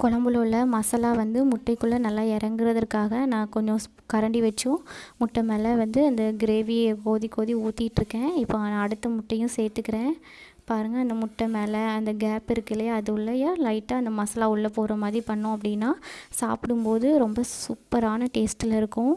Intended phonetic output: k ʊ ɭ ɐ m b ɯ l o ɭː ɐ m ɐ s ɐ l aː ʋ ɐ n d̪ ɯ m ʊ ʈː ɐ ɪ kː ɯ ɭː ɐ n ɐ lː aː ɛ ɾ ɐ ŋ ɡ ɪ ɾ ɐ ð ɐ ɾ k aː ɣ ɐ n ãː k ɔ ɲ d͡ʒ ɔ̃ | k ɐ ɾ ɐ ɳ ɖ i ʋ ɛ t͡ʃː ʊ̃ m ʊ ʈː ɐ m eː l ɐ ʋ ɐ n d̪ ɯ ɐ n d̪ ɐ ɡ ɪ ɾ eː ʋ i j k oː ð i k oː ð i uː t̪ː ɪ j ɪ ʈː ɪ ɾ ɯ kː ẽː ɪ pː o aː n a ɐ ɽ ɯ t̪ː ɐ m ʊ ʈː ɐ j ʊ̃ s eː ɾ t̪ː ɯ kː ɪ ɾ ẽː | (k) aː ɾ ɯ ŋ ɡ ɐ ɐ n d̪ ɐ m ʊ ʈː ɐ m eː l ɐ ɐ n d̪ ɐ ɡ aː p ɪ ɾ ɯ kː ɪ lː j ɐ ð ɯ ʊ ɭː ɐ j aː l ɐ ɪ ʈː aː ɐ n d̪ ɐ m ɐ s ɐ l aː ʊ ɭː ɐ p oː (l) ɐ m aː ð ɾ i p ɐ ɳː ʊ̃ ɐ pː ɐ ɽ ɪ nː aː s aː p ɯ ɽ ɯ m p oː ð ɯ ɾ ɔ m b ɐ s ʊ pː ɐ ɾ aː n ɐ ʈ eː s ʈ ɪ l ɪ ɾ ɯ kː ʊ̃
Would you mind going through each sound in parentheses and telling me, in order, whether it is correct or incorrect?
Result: incorrect: p, incorrect: ɾ

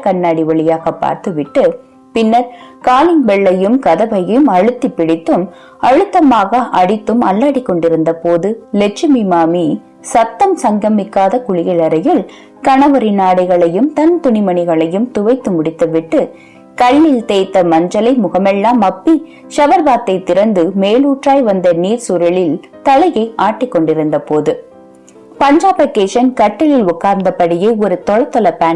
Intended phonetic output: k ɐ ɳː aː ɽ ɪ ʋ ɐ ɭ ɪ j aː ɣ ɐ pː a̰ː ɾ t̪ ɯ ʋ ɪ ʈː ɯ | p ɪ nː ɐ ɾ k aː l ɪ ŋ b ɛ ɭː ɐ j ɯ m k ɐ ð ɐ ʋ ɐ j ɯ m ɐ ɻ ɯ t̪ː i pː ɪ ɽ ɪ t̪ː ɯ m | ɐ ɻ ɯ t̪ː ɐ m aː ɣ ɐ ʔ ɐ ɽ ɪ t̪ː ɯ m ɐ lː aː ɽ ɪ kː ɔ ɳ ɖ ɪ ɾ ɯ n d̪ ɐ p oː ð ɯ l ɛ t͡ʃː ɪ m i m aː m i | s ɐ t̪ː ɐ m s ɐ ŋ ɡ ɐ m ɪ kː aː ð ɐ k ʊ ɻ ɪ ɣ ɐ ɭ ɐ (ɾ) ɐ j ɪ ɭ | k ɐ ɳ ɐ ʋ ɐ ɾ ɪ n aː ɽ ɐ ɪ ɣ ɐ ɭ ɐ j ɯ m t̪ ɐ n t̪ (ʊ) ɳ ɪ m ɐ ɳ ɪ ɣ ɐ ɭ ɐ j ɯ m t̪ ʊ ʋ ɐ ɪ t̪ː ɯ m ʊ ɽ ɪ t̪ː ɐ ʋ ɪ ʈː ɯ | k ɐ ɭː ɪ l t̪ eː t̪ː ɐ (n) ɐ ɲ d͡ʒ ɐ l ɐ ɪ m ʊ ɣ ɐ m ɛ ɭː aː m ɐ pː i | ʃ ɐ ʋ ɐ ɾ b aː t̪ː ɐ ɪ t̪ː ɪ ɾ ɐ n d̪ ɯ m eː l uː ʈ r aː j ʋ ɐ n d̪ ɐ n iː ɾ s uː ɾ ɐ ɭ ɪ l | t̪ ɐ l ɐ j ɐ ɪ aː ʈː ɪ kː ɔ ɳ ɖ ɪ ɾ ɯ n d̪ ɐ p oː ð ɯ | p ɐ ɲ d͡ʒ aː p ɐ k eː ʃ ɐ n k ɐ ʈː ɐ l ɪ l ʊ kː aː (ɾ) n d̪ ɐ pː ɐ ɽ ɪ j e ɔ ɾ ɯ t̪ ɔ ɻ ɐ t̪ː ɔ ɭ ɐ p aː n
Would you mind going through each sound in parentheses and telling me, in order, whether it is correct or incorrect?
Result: correct, correct, incorrect: m, correct

